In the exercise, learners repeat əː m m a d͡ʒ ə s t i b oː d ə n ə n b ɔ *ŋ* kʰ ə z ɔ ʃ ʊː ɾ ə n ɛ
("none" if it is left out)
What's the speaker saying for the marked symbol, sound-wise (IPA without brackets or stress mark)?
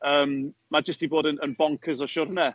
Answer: ŋ